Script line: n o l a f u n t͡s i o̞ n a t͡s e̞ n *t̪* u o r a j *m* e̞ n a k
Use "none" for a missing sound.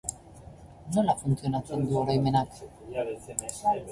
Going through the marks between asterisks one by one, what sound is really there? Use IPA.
d̪, m

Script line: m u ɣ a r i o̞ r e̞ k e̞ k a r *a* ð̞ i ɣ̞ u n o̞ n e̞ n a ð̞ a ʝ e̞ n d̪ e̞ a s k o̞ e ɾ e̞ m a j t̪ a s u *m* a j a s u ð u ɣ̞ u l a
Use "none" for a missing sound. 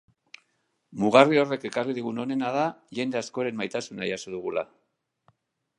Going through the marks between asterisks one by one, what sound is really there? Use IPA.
i, n

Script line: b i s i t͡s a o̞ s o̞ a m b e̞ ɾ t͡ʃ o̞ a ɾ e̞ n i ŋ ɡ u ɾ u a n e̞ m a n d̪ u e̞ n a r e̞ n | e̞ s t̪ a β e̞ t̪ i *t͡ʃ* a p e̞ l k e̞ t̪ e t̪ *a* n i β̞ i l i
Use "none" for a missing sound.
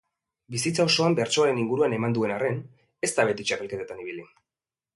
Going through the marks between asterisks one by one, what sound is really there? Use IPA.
t͡ʃ, a

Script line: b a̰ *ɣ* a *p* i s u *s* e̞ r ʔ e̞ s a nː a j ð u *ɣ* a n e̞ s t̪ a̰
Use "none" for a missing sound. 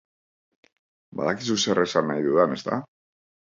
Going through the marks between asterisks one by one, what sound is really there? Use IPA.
ð, k, s, ð

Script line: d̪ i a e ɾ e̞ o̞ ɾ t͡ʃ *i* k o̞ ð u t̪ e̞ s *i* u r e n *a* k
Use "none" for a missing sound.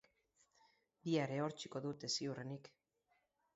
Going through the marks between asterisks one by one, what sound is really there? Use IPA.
i, i, i

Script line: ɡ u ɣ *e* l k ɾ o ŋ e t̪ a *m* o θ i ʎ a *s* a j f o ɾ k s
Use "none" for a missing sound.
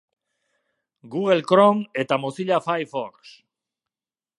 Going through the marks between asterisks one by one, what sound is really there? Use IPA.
e, m, f

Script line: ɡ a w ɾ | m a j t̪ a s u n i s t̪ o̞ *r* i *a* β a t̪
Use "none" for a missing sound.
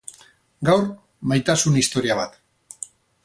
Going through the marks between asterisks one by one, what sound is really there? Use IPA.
ɾ, a

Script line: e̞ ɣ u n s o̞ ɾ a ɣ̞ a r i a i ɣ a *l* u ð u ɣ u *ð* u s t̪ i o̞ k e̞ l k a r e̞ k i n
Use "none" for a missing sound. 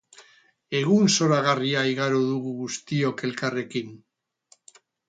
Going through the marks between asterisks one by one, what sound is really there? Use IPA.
ɾ, ɣ

